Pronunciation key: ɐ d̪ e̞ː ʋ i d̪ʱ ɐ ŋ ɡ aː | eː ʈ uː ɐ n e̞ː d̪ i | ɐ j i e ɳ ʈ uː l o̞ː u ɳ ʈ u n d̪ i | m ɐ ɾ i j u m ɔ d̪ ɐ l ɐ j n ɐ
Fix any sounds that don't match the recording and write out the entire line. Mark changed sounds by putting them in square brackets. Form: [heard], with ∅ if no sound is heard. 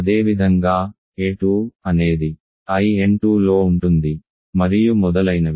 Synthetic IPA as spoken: ɐ d̪ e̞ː ʋ i d̪ʱ ɐ ŋ ɡ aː | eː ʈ uː ɐ n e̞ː d̪ i | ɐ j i e ɳ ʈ uː l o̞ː u ɳ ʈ u n d̪ i | m ɐ ɾ i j u m ɔ d̪ ɐ l ɐ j n ɐ